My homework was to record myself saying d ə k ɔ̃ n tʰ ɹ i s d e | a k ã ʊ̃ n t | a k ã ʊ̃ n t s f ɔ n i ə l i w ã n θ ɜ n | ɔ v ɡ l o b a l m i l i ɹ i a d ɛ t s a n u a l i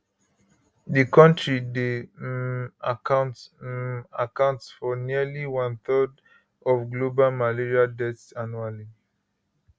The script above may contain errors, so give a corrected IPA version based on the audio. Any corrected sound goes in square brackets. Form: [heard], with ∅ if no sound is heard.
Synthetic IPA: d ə k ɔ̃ n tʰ ɹ i [∅] d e | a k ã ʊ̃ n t | a k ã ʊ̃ n t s f ɔ n i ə l i w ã n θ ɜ [d] | ɔ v ɡ l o b a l m [a] l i ɹ i a d ɛ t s a n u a l i